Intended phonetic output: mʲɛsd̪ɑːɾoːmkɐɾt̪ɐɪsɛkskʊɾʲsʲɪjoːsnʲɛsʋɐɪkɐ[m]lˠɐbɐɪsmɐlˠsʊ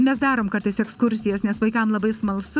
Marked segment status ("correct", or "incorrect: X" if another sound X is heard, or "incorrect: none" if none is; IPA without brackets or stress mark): correct